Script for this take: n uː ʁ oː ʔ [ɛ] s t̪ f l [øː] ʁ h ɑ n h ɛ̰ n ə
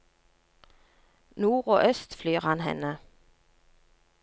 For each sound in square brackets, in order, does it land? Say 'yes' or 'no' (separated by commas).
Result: no, no